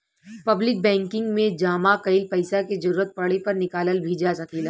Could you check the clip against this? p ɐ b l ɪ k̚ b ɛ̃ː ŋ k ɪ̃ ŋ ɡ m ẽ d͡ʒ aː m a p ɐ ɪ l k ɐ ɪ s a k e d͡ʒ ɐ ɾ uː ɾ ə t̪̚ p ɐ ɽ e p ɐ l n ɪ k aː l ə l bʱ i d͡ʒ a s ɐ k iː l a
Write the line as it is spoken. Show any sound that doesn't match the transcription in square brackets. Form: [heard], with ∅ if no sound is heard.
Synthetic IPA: p ɐ b l ɪ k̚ b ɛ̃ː ŋ k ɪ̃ ŋ ɡ m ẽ d͡ʒ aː m a [k] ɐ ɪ l [p] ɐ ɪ s a k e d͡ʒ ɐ ɾ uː ɾ ə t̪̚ p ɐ ɽ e p ɐ [ɾ] n ɪ k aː l ə l bʱ i d͡ʒ a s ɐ k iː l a